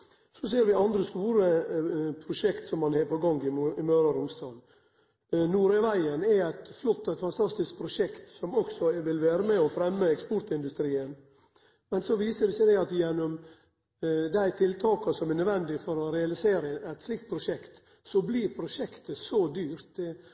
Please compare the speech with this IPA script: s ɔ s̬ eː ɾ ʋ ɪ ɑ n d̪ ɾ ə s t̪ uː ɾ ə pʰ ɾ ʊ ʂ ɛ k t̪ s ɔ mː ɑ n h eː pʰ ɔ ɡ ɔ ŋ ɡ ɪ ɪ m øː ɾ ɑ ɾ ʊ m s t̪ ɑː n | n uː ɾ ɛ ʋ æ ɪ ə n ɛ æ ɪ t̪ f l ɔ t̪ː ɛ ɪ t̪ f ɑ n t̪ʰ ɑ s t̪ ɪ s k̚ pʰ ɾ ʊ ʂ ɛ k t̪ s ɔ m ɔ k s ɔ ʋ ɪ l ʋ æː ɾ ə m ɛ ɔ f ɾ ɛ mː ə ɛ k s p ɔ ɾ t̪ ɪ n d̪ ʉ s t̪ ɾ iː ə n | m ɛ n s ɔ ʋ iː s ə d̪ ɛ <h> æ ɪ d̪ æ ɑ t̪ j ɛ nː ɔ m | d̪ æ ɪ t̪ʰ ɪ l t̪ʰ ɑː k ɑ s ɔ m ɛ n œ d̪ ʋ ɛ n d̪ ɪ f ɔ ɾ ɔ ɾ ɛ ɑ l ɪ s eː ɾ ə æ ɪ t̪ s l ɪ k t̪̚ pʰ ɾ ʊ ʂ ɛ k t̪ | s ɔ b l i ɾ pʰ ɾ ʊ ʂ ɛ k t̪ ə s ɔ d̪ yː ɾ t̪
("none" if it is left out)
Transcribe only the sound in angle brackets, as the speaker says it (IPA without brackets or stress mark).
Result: s